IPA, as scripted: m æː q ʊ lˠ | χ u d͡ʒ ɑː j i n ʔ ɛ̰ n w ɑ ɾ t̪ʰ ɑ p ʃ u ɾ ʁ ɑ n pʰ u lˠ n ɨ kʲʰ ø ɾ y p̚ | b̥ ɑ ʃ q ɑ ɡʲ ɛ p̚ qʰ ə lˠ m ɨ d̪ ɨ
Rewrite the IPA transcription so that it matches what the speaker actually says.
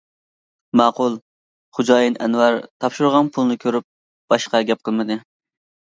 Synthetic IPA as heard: m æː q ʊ lˠ | χ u d͡ʒ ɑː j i n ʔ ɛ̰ n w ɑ ɾ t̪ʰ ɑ p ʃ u ɾ ʁ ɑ n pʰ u lˠ n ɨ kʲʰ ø ɾ y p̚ | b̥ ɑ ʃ q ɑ ɡʲ ɛ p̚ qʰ ə lˠ m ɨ d̪ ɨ